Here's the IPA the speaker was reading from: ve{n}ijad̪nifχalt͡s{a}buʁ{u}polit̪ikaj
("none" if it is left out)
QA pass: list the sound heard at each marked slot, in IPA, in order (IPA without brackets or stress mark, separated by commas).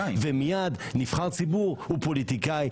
m, i, u